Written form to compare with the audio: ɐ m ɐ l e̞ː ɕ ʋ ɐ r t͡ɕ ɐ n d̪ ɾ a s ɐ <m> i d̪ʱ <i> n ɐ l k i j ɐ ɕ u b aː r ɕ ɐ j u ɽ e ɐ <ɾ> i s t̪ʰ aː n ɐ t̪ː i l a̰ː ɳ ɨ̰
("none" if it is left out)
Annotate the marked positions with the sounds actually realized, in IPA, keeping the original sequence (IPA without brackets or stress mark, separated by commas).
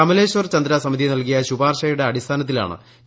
m, i, ɽ